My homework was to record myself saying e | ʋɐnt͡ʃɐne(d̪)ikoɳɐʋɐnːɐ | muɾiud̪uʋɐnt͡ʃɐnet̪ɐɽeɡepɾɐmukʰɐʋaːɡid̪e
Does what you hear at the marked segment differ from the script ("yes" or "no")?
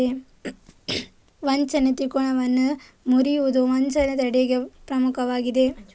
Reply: yes